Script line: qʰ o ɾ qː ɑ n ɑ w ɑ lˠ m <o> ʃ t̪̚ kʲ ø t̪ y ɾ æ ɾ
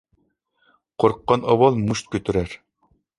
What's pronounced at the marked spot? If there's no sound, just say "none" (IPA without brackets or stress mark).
u